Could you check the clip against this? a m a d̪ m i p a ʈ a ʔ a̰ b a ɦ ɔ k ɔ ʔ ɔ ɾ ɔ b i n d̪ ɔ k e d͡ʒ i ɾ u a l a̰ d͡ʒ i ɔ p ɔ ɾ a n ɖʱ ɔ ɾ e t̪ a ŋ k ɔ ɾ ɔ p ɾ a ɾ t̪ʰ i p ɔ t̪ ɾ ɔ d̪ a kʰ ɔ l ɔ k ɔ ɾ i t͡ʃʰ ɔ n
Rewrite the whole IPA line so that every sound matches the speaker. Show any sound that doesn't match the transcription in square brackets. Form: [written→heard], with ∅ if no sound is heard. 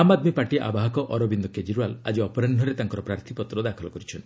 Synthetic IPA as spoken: a m a d̪ m i p a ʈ [a→i] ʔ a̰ b a ɦ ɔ k ɔ ʔ ɔ ɾ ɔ b i n d̪ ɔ k e d͡ʒ i ɾ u a l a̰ d͡ʒ i ɔ p ɔ ɾ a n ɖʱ ɔ ɾ e t̪ a ŋ k ɔ ɾ ɔ p ɾ a ɾ t̪ʰ i p ɔ t̪ ɾ ɔ d̪ a kʰ ɔ l ɔ k ɔ ɾ i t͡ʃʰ ɔ n

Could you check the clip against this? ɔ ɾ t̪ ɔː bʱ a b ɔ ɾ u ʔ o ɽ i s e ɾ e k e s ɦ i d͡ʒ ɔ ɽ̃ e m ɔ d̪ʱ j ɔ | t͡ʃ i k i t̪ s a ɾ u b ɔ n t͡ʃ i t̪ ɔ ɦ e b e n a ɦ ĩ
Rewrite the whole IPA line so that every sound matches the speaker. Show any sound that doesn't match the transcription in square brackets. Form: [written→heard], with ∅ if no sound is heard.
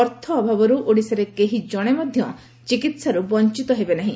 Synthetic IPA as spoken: ɔ ɾ [t̪→t̪ʰ] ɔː bʱ a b ɔ ɾ u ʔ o ɽ i s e ɾ e k e [s→∅] ɦ i d͡ʒ ɔ ɽ̃ e m ɔ d̪ʱ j ɔ | t͡ʃ i k i t̪ s a ɾ u b ɔ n t͡ʃ i t̪ ɔ ɦ e b e n a ɦ ĩ

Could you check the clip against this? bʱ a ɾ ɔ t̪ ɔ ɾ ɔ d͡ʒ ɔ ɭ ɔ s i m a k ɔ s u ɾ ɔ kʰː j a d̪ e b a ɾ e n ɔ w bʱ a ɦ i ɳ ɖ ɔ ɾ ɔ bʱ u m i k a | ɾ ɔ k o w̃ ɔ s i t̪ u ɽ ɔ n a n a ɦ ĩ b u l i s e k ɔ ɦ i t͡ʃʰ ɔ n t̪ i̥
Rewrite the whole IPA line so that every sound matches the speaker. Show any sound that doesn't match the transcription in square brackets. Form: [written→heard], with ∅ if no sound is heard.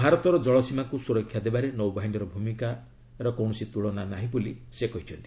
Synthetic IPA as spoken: bʱ a ɾ ɔ t̪ ɔ ɾ ɔ d͡ʒ ɔ ɭ ɔ s i m a k [ɔ→u] s u ɾ ɔ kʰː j a d̪ e b a ɾ e n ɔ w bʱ a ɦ i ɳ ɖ ɔ ɾ ɔ bʱ u m i k a | ɾ ɔ k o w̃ ɔ s i t̪ u [ɽ→ɭ] ɔ n a n a ɦ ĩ b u l i s e k ɔ ɦ i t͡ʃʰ ɔ n t̪ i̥

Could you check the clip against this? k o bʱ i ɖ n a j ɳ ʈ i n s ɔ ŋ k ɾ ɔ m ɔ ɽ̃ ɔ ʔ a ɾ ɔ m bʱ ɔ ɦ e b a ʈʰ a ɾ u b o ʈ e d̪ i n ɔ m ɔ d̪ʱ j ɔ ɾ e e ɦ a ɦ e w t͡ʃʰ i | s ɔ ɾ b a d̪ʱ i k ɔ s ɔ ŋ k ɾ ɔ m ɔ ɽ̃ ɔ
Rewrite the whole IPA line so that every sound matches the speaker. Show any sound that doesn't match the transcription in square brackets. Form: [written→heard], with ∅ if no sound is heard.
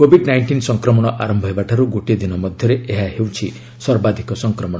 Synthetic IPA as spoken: k o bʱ i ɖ n a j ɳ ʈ i n s ɔ ŋ k ɾ ɔ m ɔ ɽ̃ ɔ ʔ a ɾ ɔ m bʱ ɔ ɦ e b a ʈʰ a ɾ u [b→ɡ] o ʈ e d̪ i n ɔ m ɔ d̪ʱ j ɔ ɾ e e ɦ a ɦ e w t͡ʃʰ i | s ɔ ɾ b a d̪ʱ i k ɔ s ɔ ŋ k ɾ ɔ m ɔ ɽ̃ ɔ

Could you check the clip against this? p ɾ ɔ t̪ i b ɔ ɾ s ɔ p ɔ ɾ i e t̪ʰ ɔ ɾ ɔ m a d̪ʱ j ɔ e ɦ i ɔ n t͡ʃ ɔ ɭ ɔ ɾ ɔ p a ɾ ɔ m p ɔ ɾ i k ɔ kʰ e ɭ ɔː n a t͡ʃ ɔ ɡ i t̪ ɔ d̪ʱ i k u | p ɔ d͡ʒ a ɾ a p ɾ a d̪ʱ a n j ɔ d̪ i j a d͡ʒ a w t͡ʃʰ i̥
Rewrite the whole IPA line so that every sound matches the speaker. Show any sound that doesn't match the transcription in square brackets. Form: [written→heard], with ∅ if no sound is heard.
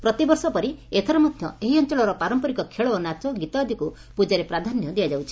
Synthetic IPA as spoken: p ɾ ɔ t̪ i b ɔ ɾ s ɔ p ɔ ɾ i e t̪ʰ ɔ ɾ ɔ m a d̪ʱ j ɔ e ɦ i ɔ n t͡ʃ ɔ ɭ ɔ ɾ ɔ p a ɾ ɔ m p ɔ ɾ i k ɔ kʰ e ɭ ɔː n a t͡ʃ ɔ ɡ i t̪ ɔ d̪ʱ i k u | p [ɔ→u] d͡ʒ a ɾ [a→e] p ɾ a d̪ʱ a n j ɔ d̪ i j a d͡ʒ a w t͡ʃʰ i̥

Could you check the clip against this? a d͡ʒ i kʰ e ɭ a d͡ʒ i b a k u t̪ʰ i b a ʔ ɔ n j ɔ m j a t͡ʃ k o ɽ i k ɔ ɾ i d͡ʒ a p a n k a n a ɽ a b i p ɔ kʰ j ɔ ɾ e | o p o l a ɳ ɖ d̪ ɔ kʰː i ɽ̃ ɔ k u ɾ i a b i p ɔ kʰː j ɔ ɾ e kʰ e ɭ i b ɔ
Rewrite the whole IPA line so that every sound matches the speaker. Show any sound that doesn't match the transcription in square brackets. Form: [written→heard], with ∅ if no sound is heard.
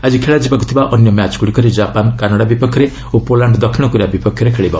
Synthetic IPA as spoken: a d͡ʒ i kʰ e ɭ a d͡ʒ i b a k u t̪ʰ i b a ʔ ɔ n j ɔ m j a t͡ʃ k [o→u] ɽ i k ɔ ɾ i d͡ʒ a p a n k a n a ɽ a b i p ɔ kʰ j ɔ ɾ e | o p o l a ɳ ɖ d̪ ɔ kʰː i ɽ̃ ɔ k u ɾ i a b i p ɔ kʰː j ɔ ɾ e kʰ e ɭ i b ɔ

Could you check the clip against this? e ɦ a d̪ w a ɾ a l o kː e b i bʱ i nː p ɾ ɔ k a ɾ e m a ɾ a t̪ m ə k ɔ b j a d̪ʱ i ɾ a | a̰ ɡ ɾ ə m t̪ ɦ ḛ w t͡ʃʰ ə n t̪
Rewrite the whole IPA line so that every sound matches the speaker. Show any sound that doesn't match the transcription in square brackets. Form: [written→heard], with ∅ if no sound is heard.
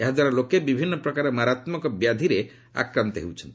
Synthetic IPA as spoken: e ɦ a d̪ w a ɾ a l o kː e b i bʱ i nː p ɾ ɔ k a ɾ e m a ɾ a t̪ m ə k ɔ b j a d̪ʱ i ɾ [a→e] | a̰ [ɡ→k] ɾ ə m t̪ ɦ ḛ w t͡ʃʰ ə n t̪

